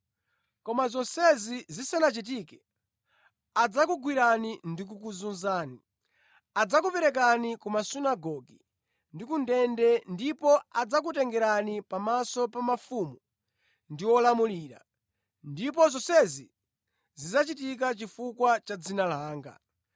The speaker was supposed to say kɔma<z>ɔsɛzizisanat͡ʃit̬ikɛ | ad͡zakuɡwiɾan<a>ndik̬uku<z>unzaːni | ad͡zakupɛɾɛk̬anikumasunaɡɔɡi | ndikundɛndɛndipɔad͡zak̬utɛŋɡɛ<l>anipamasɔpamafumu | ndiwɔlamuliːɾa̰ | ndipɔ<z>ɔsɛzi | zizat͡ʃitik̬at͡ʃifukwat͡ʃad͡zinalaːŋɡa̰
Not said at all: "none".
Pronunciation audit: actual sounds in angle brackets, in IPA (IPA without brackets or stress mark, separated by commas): z, i, z, ɾ, z